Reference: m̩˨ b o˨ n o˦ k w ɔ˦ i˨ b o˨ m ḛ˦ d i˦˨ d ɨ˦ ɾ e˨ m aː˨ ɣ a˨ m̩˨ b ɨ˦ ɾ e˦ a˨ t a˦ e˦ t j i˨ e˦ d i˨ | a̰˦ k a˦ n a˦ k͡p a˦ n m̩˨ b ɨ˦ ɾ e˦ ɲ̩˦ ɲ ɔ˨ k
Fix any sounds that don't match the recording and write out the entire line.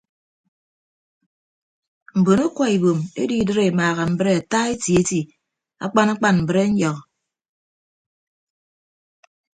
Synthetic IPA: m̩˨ b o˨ n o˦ k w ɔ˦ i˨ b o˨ m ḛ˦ d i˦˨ d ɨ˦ ɾ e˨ m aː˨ ɣ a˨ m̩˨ b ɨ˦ ɾ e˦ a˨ t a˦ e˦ t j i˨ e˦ t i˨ | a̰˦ k͡p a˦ n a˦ k͡p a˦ n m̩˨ b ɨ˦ ɾ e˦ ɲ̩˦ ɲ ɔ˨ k